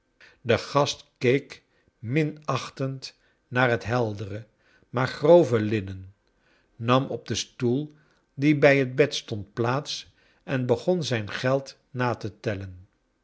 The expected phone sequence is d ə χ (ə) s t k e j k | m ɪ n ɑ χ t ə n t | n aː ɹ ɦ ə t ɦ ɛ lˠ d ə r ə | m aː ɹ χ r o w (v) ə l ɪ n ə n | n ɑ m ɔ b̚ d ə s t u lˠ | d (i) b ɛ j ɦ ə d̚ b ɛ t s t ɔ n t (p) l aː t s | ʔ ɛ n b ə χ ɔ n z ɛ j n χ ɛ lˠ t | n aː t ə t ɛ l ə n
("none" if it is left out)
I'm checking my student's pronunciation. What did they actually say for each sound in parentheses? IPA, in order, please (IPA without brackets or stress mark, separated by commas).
ɑ, v, i, p